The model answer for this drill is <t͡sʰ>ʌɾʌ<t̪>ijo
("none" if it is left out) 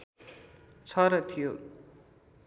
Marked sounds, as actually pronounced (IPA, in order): t͡sʰ, t̪ʰ

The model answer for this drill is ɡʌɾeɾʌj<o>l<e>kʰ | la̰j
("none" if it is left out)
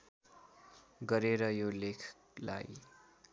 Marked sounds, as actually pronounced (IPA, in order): o, e

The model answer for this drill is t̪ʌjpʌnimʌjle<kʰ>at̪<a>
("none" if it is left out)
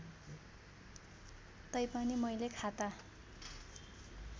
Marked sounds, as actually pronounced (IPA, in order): kʰ, a

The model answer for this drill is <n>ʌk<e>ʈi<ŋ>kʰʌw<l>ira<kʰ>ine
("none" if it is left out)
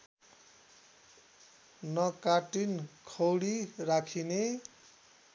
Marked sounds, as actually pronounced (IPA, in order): n, a, n, ɽ, kʰ

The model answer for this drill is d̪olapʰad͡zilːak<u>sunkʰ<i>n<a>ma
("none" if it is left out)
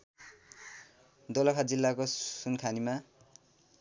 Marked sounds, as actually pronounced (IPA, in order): o, a, i

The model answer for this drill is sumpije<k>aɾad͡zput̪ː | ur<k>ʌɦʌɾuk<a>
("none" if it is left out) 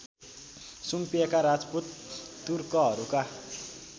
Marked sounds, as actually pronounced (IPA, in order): k, k, a

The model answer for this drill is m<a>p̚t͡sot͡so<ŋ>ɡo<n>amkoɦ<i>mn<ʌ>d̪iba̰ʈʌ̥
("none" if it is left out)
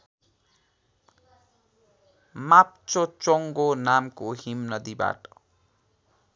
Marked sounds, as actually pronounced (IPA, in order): a, ŋ, n, i, ʌ

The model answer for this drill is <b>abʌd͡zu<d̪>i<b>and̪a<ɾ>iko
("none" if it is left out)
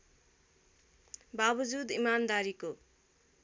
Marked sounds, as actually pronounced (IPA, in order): b, d̪, m, ɾ

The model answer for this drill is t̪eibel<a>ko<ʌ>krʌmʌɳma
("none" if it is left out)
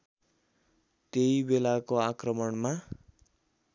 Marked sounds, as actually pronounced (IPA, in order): a, a

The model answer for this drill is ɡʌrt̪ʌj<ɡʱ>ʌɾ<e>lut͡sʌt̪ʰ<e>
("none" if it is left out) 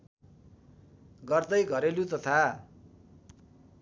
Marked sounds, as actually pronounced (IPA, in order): ɡʱ, e, a

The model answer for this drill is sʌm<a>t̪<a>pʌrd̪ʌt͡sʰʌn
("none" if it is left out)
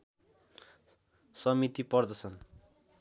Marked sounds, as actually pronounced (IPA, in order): i, i

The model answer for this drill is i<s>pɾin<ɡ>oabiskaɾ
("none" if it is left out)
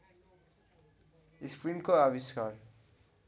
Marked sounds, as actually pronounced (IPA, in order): s, k

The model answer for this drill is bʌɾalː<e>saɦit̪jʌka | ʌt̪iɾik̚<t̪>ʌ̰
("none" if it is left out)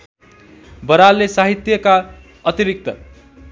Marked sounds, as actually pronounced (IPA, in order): e, t̪

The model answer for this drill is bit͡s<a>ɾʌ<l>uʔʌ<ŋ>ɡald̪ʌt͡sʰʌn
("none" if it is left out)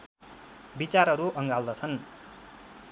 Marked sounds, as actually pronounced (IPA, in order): a, ɾ, ŋ

